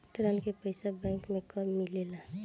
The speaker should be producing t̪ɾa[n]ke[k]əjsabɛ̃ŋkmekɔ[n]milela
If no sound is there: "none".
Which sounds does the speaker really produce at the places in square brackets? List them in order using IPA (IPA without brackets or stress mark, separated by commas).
n, p, none